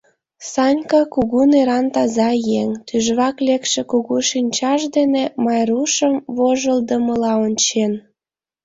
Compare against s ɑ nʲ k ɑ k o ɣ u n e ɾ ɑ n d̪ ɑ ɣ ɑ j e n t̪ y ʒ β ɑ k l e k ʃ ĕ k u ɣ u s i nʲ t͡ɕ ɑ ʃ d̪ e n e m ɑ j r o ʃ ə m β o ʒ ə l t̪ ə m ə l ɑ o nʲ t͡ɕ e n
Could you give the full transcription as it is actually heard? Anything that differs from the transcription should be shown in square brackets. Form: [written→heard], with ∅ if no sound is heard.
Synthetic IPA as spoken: s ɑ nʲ k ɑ k [o→u] ɣ u n e ɾ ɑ n [d̪→t̪] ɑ [ɣ→z] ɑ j e [n→ŋ] t̪ y ʒ β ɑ k l e k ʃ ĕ k u ɣ u [s→ʃ] i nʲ t͡ɕ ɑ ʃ d̪ e n e m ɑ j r [o→u] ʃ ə m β o ʒ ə l [t̪→d̪] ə m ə l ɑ o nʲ t͡ɕ e n